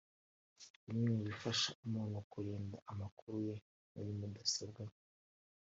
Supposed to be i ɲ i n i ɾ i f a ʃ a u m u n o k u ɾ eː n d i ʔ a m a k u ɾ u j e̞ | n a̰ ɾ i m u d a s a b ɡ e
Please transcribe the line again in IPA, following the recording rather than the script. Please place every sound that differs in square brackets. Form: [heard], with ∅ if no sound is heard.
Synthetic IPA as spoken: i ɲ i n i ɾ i f a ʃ a u m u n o k u ɾ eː n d [a] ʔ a m a k u ɾ u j e̞ | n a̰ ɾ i m u d a s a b ɡ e